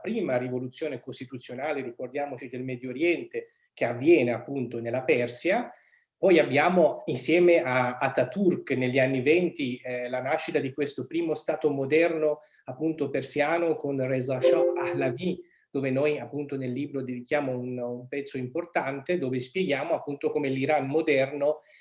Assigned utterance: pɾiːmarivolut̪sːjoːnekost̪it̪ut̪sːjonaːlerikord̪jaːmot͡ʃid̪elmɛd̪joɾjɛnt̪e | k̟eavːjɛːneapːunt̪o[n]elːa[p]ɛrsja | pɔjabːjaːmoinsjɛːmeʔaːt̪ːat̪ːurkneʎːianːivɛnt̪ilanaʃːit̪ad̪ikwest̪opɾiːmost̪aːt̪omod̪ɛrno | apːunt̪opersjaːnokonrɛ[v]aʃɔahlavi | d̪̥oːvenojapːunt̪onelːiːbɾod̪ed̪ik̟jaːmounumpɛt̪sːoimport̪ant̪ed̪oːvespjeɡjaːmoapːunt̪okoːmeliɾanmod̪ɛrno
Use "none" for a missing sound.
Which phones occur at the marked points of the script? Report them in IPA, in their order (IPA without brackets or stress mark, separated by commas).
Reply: n, p, z